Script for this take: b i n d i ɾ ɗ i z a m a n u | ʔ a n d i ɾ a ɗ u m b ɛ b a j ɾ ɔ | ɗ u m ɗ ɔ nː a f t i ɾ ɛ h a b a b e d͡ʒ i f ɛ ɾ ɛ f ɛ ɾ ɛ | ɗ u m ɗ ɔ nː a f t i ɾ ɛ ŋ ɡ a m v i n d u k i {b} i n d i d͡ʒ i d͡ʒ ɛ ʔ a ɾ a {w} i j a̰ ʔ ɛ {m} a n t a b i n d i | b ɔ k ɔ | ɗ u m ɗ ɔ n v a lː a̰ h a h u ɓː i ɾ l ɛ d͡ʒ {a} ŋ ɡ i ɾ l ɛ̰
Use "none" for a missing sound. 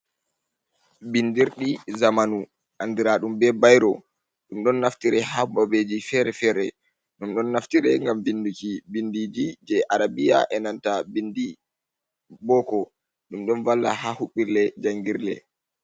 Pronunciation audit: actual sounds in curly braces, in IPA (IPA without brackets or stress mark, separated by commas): b, b, n, a